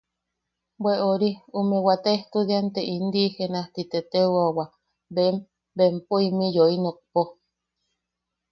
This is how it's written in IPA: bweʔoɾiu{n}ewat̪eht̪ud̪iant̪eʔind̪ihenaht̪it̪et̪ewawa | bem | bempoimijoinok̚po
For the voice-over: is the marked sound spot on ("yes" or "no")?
no